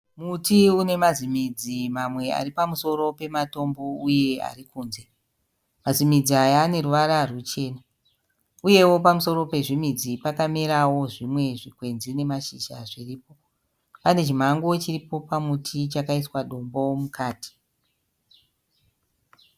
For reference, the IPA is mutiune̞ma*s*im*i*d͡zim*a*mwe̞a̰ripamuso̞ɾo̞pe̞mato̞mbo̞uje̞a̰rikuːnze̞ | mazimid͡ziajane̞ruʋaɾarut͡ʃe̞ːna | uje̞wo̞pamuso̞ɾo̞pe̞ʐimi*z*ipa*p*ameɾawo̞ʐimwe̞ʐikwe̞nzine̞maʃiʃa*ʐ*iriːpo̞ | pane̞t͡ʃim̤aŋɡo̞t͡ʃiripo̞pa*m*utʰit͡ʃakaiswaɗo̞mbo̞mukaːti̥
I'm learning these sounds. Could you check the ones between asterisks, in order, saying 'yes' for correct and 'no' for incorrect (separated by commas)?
no, yes, yes, no, no, yes, yes